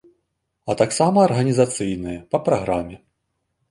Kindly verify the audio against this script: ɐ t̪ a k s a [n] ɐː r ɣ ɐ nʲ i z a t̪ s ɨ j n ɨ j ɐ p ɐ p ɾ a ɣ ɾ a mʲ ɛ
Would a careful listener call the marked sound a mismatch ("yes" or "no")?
yes